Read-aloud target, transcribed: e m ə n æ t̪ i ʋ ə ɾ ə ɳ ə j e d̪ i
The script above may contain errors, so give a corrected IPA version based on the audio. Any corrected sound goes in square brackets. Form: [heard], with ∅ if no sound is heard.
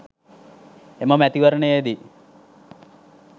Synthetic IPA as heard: e m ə [m] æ t̪ i ʋ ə ɾ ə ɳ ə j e d̪ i